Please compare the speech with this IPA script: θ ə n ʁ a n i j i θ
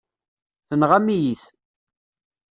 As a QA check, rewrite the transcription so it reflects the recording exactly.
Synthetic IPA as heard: θ ə n ʁ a m i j i θ